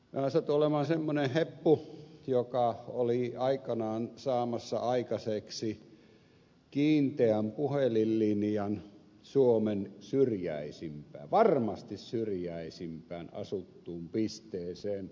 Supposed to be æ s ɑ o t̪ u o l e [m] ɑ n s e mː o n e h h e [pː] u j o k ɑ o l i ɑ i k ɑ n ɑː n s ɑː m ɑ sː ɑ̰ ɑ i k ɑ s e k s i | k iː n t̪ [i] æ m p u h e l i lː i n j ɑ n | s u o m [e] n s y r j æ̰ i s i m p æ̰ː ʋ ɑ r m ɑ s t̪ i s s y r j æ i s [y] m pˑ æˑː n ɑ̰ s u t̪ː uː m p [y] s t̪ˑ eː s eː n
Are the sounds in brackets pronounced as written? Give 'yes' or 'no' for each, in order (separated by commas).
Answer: yes, yes, no, yes, no, no